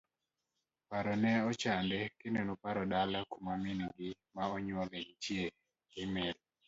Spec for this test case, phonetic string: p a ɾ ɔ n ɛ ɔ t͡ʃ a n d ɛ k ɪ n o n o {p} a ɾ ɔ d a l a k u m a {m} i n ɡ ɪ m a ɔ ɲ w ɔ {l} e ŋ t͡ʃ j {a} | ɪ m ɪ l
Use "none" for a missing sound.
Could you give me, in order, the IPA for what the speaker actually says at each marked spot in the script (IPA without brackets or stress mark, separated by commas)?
p, m, l, e